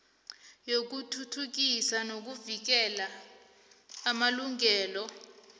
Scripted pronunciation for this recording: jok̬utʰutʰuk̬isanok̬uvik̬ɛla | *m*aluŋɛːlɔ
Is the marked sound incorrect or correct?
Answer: correct